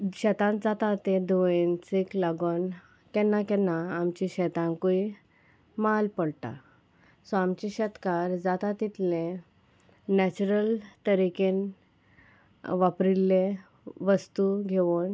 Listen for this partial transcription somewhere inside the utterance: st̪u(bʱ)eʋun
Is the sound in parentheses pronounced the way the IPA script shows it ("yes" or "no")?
no